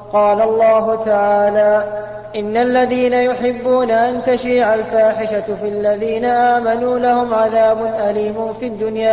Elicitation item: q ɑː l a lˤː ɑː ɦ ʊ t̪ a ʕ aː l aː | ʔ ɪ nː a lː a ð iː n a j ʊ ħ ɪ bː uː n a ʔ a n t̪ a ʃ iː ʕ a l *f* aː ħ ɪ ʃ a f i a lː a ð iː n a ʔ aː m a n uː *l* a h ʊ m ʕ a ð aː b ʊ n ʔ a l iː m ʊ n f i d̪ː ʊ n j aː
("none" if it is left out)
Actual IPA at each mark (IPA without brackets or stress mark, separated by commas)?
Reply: f, l